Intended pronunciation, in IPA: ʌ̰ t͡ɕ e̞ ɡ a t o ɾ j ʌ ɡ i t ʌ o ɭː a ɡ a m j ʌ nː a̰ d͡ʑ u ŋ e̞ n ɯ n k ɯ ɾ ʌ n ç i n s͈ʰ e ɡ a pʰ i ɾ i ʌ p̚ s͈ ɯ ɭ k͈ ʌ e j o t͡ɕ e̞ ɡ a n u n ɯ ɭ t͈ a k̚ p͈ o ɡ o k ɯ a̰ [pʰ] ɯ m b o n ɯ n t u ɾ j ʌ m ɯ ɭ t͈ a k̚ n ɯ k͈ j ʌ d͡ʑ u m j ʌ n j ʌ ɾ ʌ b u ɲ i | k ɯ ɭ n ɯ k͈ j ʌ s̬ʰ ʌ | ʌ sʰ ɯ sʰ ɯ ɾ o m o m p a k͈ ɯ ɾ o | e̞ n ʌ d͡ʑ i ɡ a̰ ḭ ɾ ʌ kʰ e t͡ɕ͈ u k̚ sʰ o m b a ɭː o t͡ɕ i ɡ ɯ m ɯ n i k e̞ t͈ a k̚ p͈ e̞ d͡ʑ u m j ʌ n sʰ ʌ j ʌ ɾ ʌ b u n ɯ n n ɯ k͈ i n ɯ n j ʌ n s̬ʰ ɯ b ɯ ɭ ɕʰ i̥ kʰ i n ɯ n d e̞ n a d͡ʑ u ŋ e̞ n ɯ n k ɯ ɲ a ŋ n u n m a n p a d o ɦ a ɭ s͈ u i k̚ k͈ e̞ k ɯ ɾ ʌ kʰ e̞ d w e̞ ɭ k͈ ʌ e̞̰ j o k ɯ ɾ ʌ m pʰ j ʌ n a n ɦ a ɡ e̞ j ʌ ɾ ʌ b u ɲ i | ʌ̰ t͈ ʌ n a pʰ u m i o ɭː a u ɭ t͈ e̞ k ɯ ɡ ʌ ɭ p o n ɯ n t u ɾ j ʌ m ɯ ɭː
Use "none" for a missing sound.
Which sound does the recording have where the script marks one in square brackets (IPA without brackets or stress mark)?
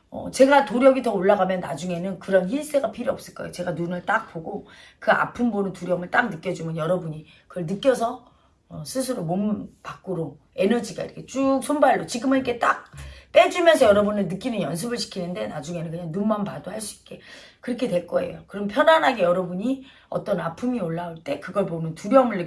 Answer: pʰ